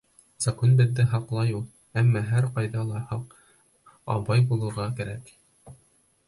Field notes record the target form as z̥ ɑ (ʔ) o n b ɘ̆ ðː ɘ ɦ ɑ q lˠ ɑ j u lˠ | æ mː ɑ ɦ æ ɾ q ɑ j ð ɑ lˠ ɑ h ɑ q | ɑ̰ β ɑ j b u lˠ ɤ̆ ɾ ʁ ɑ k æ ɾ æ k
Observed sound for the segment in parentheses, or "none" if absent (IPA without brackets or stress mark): k